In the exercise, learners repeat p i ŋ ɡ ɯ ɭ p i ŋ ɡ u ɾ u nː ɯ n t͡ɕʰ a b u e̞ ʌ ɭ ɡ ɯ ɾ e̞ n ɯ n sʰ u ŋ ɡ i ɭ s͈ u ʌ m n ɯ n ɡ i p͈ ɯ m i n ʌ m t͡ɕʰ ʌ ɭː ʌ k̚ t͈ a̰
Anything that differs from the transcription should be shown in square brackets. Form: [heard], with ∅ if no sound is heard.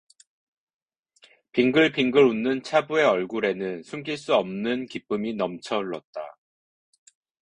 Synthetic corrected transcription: p i ŋ ɡ ɯ ɭ p i ŋ ɡ [ɯ] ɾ u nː ɯ n t͡ɕʰ a b u e̞ ʌ ɭ ɡ [u] ɾ e̞ n ɯ n sʰ u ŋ ɡ i ɭ s͈ u ʌ m n ɯ n [k] i p͈ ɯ m i n ʌ m t͡ɕʰ ʌ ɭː ʌ [t̚] t͈ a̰